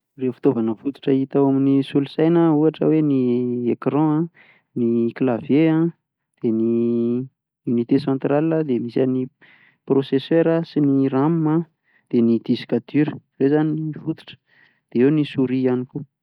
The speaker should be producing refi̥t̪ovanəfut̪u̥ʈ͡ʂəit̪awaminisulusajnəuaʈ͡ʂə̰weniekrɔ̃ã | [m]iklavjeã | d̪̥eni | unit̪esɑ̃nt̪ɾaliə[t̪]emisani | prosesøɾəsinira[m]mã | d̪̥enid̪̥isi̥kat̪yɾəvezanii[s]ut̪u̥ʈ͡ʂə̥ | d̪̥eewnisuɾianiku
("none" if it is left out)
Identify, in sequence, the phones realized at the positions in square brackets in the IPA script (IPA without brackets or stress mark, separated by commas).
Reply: n, d̪, m, f